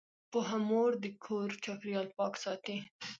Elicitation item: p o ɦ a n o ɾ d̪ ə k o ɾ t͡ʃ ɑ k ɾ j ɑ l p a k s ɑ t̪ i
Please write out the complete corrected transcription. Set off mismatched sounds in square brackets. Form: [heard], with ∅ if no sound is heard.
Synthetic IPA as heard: p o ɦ a [m] o ɾ d̪ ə [kʰ] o ɾ t͡ʃ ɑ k ɾ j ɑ l p [ɑ] k s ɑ t̪ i